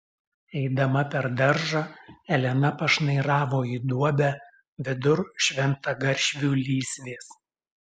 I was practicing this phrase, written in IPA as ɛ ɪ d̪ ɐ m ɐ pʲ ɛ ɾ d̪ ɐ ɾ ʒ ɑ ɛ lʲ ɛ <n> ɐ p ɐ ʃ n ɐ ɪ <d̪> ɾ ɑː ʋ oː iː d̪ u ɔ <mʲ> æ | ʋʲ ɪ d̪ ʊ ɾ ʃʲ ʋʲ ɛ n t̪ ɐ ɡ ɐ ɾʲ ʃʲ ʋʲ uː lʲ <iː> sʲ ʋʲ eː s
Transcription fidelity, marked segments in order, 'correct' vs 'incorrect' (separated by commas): correct, incorrect, incorrect, correct